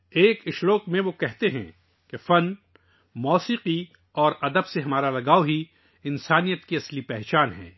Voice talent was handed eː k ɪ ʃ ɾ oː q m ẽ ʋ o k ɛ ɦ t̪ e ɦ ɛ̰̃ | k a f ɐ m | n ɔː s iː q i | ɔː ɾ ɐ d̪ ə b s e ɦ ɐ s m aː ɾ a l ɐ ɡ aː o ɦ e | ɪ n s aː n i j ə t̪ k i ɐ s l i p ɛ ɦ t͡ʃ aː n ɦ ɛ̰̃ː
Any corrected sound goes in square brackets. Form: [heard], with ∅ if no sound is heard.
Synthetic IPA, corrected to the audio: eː k ɪ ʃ ɾ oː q m ẽ ʋ o k ɛ ɦ t̪ e ɦ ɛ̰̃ | k [e] f ɐ [n] | [m] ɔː s iː q i | ɔː ɾ ɐ d̪ ə b s e ɦ ɐ [∅] m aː ɾ a l ɐ ɡ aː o ɦ [i] | ɪ n s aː n i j ə t̪ k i ɐ s l i p ɛ ɦ t͡ʃ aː n ɦ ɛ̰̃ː